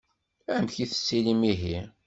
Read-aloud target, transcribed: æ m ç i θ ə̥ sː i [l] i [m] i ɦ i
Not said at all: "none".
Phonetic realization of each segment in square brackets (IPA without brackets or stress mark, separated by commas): l, m